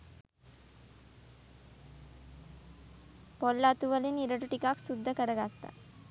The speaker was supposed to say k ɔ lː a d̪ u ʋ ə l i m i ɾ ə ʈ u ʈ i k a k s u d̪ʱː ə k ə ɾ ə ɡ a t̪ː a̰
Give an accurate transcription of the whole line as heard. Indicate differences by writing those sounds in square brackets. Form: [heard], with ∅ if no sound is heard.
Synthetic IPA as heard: [p] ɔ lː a [t̪] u ʋ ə l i [n] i ɾ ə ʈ u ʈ i k a k s u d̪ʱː ə k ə ɾ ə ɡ a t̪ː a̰